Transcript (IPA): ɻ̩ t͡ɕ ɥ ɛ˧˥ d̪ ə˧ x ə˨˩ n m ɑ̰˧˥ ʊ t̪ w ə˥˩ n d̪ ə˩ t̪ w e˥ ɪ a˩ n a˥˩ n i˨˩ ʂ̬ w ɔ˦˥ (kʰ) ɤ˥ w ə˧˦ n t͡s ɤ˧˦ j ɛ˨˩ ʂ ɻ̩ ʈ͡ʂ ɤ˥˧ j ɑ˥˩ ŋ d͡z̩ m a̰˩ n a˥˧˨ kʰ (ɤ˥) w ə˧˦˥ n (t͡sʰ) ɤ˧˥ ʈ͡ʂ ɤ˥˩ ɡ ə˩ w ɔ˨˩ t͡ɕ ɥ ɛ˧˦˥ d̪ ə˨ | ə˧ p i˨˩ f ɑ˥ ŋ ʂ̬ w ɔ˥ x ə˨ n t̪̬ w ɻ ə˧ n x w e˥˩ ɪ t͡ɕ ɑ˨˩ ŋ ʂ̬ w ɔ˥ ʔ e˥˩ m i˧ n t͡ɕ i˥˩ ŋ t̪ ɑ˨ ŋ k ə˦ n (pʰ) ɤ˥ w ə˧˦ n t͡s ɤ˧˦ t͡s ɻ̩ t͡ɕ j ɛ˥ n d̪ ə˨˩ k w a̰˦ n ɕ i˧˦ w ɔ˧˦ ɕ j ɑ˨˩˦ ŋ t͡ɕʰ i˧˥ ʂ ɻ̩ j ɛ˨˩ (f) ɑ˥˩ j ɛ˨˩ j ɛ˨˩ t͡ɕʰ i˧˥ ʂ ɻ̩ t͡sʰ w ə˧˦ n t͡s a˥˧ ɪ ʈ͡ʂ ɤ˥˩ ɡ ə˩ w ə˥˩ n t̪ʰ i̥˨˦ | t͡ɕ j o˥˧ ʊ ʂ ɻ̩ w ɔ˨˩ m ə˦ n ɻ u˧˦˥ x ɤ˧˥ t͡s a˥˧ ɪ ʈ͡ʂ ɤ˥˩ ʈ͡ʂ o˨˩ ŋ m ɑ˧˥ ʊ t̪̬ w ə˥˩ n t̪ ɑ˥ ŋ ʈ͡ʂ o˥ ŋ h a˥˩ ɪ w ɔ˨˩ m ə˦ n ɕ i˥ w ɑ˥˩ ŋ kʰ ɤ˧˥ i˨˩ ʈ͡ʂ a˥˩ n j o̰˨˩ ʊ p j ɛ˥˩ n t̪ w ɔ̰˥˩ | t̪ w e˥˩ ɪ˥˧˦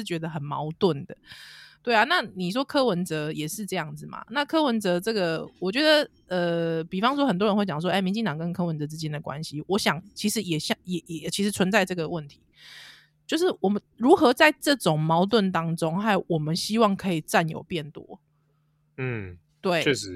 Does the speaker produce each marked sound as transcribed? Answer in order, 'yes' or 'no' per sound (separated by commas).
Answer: yes, yes, no, no, no